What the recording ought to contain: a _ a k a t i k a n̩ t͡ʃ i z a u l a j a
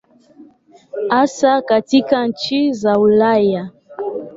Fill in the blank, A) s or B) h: A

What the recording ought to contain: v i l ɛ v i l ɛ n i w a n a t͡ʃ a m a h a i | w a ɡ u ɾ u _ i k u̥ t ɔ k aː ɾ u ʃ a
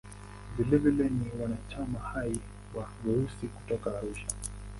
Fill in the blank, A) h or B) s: B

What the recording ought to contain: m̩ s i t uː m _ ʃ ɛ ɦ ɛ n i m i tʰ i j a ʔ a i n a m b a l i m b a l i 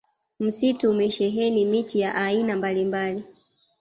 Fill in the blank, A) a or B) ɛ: B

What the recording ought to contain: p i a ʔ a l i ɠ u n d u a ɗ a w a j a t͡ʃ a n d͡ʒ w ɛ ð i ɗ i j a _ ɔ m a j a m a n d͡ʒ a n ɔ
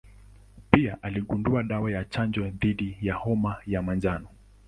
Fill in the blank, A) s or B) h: B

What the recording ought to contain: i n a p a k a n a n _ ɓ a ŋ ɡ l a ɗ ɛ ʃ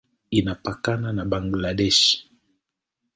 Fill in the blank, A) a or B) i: A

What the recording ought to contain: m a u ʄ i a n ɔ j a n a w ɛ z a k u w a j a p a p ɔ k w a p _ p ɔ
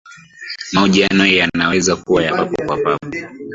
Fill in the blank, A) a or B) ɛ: A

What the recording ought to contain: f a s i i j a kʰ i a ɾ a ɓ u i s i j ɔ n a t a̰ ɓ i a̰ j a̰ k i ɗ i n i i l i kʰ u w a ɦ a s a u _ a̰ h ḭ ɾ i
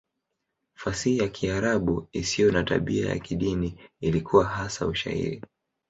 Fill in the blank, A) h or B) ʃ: B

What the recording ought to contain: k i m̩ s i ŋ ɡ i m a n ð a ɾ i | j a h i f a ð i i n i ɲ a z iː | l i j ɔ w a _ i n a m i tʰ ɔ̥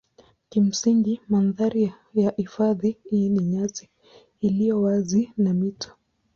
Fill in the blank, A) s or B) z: B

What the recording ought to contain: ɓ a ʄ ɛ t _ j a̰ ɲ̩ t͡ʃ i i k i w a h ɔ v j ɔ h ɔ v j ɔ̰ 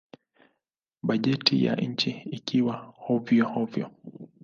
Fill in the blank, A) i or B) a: A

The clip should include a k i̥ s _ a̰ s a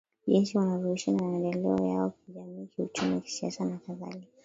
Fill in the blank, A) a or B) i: B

